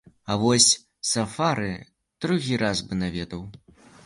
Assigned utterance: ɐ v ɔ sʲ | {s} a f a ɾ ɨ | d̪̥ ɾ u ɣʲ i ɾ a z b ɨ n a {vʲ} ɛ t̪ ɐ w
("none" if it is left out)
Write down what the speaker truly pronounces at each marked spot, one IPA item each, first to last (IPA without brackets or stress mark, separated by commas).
s, vʲ